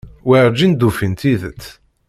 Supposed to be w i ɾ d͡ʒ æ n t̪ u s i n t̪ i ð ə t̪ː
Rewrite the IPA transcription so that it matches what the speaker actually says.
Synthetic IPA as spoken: w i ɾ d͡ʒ i n d̪ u f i n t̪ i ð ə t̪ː